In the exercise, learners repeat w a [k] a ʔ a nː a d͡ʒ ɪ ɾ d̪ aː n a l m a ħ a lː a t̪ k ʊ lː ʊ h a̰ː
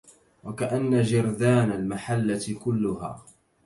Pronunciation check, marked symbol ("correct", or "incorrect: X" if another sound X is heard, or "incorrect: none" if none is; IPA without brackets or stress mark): correct